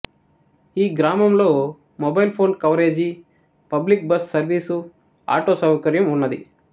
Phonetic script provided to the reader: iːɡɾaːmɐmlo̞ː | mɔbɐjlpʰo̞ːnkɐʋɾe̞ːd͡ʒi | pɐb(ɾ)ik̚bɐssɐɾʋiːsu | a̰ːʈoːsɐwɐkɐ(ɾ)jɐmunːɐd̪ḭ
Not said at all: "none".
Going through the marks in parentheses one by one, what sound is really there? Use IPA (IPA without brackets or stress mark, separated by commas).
l, ɾ